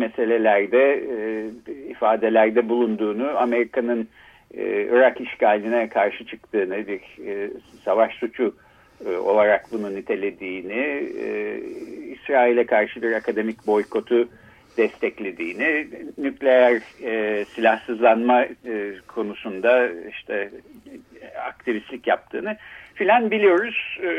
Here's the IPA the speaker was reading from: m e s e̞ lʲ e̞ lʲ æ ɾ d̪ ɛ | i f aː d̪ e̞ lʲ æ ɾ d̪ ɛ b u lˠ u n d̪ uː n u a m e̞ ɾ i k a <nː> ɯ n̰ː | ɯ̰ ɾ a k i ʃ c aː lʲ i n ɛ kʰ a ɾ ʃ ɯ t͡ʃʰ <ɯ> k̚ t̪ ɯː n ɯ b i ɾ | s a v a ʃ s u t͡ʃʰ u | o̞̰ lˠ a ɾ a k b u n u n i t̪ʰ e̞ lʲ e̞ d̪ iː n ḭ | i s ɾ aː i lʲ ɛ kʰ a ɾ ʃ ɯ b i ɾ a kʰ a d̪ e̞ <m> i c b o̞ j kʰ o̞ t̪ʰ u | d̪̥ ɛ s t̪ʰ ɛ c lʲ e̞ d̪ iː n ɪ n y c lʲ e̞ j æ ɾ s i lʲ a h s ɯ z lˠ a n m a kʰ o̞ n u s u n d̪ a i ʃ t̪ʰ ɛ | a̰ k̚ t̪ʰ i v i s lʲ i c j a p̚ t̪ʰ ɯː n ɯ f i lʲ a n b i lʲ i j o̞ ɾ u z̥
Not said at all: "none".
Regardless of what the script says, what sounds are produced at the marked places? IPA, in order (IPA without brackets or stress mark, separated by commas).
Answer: n, ɯ, m